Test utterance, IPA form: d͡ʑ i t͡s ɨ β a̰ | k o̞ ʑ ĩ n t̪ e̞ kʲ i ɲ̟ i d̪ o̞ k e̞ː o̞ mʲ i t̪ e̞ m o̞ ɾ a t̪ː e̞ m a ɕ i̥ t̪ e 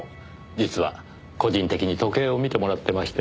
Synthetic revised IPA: d͡ʑ i t͡s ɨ β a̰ | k o̞ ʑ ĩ n t̪ e̞ kʲ i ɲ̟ i t̪ o̞ k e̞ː o̞ mʲ i t̪ e̞ m o̞ ɾ a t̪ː e̞ m a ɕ i̥ t̪ e